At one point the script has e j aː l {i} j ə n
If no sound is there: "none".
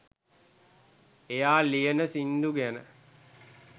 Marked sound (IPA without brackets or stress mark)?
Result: i